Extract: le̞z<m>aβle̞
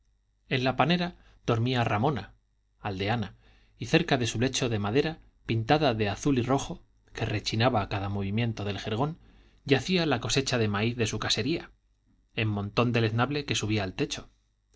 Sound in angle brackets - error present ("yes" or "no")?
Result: yes